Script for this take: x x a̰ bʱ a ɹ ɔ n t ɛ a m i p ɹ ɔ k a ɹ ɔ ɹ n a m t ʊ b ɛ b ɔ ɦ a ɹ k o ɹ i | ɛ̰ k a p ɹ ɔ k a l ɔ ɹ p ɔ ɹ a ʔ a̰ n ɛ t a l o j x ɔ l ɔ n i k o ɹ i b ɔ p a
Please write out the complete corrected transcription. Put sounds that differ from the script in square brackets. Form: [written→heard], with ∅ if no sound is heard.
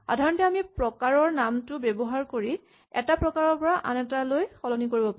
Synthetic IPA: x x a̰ [bʱ→dʱ] a ɹ ɔ n t ɛ a m i p ɹ ɔ k a ɹ ɔ ɹ n a m t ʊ b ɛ b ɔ ɦ a ɹ k o ɹ i | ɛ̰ [k→t] a p ɹ ɔ k a [l→ɹ] ɔ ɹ p ɔ ɹ a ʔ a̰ n ɛ t a l o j x ɔ l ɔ n i k o ɹ i b ɔ p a